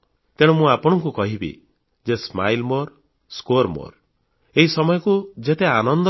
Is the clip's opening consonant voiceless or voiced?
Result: voiceless